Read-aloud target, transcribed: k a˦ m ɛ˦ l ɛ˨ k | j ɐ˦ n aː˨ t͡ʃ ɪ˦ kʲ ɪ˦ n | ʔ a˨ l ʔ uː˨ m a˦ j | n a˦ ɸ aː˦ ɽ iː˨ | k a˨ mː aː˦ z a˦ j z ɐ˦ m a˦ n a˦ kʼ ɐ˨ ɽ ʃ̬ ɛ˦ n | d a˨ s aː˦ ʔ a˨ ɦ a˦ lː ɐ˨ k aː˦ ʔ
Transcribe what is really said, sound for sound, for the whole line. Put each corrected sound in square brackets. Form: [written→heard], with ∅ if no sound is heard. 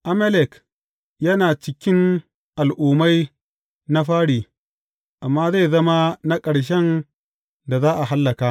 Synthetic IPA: [k→ʔ] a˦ m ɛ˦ l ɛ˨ k | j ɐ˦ n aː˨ t͡ʃ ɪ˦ kʲ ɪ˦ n | ʔ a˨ l ʔ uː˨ m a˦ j | n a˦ ɸ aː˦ ɽ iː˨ | [k→ʔ] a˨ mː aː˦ z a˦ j z ɐ˦ m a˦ n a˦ kʼ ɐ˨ ɽ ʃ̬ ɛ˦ n | d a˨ [s→z] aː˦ ʔ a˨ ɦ a˦ lː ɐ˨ k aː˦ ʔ